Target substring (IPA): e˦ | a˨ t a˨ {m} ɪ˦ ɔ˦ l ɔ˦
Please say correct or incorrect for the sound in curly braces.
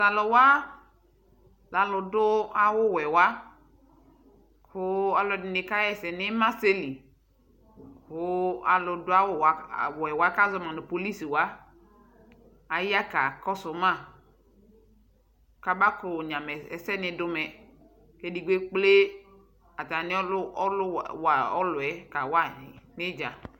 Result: incorrect